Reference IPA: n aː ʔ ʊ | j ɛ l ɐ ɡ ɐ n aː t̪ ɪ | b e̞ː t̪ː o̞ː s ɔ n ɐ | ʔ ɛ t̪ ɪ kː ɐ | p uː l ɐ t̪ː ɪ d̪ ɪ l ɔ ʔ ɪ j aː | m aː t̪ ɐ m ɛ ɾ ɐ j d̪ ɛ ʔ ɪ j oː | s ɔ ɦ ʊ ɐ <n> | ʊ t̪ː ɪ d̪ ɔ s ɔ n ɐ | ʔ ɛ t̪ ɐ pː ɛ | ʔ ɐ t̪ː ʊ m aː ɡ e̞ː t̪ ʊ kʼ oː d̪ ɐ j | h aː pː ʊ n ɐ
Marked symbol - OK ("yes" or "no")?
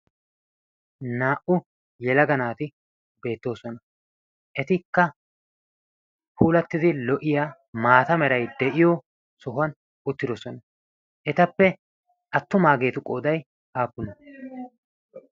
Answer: yes